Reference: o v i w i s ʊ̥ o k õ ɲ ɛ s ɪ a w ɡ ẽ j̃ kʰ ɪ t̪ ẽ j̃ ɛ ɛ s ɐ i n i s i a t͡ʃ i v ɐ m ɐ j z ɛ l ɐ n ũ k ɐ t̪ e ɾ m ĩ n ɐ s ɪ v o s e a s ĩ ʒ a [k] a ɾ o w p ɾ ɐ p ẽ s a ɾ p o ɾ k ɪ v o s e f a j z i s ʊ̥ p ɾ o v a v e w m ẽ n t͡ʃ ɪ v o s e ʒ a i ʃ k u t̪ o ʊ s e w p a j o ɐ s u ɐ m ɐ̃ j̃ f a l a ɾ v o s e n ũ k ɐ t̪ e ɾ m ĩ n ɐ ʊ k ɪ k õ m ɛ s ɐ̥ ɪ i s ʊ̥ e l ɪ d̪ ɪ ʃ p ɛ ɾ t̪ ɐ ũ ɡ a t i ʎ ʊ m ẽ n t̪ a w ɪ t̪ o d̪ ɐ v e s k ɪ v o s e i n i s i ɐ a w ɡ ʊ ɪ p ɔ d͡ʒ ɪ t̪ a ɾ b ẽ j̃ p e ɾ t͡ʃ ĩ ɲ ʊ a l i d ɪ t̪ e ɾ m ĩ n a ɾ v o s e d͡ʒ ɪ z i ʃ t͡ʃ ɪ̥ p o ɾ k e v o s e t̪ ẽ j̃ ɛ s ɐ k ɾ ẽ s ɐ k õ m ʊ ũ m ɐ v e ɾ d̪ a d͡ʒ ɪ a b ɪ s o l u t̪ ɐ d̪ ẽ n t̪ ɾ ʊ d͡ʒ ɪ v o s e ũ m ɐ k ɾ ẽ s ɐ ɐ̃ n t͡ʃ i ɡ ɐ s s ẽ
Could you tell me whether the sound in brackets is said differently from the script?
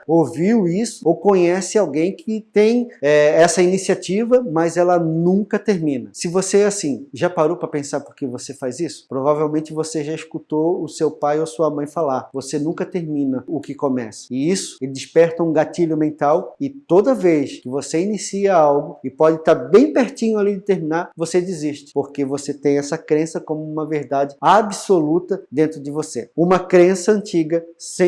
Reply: yes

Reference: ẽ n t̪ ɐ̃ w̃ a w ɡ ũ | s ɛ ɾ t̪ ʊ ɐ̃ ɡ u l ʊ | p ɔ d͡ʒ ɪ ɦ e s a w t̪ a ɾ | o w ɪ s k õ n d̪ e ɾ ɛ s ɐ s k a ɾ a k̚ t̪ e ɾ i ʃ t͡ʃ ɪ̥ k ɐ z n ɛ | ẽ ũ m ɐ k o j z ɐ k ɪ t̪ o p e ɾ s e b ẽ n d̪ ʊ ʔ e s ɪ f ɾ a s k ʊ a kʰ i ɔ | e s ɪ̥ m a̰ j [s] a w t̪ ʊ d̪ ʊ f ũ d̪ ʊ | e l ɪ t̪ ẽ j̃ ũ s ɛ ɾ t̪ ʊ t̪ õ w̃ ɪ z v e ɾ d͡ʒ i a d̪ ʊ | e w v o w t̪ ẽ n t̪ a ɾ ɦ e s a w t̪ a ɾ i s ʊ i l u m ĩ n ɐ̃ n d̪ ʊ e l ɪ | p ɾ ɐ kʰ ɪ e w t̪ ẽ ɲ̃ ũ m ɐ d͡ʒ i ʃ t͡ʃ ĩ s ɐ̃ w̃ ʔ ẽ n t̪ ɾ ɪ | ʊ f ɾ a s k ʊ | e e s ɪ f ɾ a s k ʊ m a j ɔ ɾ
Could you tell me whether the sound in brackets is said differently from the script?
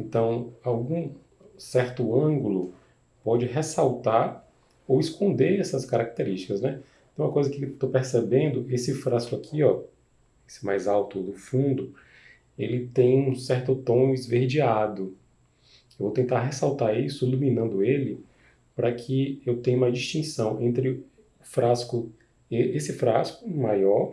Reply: yes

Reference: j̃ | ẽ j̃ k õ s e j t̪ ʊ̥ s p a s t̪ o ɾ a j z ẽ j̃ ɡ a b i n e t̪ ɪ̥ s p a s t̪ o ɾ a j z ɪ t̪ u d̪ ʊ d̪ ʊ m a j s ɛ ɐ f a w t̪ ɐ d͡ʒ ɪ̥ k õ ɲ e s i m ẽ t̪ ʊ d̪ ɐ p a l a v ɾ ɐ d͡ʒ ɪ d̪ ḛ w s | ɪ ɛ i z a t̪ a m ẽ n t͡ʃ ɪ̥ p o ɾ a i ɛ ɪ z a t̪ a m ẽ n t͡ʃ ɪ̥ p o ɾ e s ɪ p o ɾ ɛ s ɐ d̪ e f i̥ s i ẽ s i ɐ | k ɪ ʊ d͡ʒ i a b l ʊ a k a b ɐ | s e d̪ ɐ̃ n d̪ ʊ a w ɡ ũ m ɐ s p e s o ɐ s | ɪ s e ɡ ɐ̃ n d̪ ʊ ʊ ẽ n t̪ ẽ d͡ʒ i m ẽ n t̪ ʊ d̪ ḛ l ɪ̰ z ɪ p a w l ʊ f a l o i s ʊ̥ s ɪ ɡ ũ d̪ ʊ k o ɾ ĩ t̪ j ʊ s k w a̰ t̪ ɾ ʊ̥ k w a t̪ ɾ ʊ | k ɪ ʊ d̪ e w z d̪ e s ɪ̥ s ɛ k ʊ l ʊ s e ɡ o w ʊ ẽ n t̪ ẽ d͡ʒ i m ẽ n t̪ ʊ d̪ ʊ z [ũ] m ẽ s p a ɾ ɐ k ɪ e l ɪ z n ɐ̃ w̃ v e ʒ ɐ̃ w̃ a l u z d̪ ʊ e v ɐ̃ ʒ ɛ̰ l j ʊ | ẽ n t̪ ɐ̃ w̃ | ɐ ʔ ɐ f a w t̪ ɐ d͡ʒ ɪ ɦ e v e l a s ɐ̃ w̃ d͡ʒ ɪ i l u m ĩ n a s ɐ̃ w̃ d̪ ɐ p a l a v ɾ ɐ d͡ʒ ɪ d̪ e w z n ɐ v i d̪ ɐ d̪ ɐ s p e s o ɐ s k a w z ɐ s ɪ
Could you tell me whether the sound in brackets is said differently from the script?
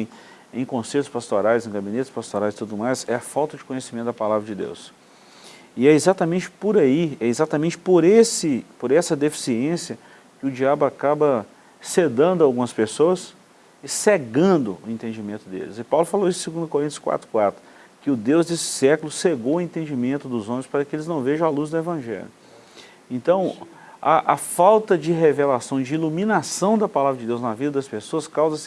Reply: yes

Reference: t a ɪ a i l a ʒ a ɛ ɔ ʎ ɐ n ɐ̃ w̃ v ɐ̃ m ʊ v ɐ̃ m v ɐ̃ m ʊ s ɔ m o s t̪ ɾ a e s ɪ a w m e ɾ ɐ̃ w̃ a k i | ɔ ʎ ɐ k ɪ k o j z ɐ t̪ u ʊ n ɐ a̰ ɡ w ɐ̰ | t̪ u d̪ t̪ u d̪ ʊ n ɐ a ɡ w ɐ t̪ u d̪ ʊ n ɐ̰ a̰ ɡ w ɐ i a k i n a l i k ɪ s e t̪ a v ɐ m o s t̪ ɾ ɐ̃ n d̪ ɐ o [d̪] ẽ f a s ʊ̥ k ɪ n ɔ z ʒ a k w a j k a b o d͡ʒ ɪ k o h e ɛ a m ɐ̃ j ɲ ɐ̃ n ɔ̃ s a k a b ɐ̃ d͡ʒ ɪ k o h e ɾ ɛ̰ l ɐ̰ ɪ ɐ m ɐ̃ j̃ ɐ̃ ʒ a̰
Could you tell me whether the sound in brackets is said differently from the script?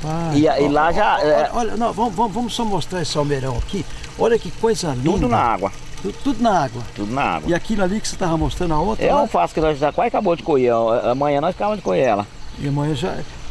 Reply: yes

